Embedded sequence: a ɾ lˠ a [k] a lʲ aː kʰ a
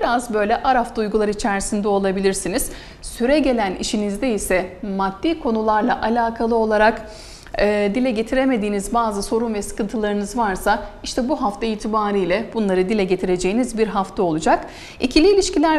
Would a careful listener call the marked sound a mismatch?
yes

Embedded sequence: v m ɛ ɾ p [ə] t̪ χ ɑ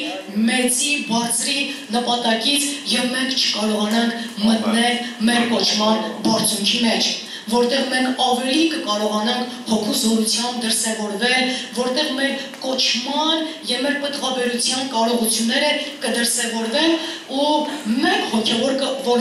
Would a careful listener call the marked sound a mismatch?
no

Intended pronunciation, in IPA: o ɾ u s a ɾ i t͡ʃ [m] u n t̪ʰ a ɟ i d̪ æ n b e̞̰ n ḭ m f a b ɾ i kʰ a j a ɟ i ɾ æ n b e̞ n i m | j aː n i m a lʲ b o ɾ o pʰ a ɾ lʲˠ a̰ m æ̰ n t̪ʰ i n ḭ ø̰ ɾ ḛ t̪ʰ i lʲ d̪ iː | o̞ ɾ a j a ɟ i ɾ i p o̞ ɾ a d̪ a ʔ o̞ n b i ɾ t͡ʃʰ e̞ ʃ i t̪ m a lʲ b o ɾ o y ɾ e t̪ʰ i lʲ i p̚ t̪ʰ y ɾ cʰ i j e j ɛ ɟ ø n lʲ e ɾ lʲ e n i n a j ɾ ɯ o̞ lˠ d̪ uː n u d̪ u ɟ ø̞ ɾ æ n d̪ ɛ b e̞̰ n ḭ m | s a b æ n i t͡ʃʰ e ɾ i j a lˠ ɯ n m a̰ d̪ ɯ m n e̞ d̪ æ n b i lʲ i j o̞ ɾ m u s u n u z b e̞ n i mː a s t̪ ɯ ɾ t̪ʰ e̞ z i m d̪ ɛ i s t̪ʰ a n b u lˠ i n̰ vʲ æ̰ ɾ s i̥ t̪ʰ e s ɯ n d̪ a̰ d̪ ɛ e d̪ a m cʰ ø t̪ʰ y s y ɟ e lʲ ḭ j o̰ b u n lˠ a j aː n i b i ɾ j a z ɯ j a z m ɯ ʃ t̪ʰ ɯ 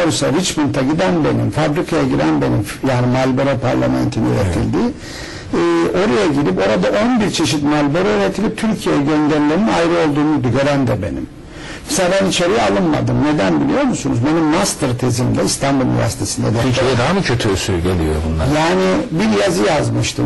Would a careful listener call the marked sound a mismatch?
no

